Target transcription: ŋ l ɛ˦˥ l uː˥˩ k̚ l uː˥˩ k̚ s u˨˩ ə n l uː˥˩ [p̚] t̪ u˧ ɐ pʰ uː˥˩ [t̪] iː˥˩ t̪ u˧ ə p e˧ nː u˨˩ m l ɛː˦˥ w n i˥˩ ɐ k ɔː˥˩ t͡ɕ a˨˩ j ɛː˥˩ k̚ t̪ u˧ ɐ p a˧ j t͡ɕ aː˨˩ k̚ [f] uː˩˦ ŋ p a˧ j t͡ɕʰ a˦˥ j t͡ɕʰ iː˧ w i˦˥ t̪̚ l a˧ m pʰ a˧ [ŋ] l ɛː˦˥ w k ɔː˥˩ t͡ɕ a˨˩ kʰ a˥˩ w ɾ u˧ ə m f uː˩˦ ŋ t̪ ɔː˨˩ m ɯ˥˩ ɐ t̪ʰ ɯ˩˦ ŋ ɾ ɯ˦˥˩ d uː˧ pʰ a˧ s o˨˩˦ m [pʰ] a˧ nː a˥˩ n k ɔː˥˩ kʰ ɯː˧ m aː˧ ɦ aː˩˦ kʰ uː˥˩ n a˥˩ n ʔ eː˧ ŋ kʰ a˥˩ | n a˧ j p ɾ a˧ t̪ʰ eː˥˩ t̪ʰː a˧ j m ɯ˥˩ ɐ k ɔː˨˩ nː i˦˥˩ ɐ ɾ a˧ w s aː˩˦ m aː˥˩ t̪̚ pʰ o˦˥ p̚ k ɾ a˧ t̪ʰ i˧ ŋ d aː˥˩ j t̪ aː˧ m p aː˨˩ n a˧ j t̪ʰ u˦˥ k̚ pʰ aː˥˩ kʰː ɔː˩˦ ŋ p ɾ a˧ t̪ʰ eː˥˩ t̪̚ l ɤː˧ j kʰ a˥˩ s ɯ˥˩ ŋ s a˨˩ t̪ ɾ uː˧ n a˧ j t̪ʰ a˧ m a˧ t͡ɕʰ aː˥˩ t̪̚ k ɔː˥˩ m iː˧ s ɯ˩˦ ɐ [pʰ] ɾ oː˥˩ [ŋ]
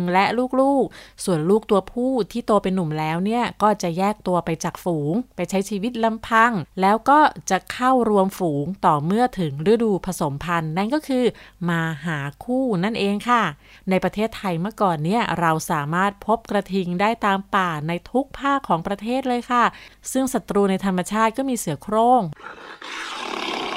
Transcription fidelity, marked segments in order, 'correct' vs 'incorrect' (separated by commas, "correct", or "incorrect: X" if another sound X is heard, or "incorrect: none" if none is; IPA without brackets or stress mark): incorrect: k̚, incorrect: t̪ʰ, correct, correct, correct, incorrect: kʰ, correct